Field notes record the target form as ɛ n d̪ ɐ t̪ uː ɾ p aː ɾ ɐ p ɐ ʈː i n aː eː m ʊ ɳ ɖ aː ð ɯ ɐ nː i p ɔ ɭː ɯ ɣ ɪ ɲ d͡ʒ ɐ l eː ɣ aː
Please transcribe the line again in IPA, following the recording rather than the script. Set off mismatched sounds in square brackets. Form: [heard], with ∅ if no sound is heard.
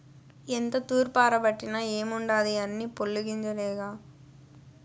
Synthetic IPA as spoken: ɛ n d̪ ɐ t̪ uː ɾ p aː ɾ ɐ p ɐ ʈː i n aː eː m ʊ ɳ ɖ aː ð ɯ ɐ nː i p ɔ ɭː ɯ ɣ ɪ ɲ d͡ʒ ɐ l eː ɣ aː